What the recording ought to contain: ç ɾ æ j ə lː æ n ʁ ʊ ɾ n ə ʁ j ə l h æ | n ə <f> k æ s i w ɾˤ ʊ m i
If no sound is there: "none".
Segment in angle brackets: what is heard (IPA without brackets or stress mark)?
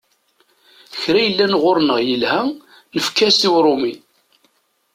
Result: f